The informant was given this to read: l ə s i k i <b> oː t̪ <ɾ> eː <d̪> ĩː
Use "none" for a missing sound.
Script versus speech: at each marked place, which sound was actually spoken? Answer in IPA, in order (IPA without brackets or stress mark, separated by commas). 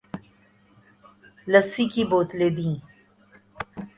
b, l, d̪